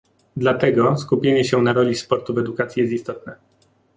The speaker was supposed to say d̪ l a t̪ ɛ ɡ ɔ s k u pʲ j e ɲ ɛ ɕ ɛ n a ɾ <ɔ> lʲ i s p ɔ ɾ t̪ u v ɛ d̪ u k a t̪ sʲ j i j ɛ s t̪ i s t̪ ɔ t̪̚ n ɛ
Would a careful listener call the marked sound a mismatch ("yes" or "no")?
no